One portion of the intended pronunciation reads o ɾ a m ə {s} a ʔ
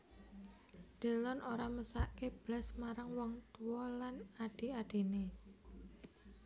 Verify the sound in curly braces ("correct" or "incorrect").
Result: correct